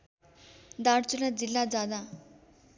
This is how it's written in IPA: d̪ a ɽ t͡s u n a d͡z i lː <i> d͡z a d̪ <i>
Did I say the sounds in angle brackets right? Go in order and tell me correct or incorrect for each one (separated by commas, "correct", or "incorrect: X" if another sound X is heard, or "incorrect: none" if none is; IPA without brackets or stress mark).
incorrect: a, incorrect: a